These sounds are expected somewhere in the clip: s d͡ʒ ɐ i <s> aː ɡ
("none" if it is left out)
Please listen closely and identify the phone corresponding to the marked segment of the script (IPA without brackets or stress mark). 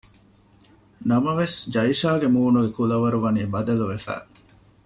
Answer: ʃ